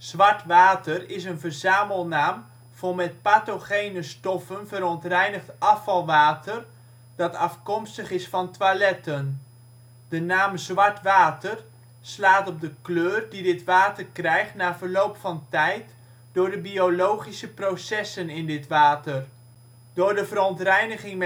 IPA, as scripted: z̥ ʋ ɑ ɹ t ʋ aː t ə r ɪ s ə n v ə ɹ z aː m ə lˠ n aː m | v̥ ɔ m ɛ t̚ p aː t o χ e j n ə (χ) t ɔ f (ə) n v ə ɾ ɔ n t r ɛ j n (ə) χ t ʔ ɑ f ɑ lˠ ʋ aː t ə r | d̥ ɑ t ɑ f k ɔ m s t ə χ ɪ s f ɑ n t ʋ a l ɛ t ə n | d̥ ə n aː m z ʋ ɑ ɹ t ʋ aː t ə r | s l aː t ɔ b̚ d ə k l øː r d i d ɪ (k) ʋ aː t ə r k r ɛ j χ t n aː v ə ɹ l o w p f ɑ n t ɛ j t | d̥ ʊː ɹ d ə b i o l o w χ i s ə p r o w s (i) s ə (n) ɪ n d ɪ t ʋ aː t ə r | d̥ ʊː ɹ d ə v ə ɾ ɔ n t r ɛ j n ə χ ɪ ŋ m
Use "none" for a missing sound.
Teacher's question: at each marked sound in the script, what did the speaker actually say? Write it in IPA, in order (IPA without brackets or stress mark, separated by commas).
s, ə, ə, t, ɛ, n